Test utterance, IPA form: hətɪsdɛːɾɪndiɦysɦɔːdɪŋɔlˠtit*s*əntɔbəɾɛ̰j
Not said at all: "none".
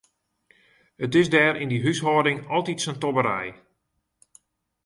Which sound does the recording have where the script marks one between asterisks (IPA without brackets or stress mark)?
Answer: s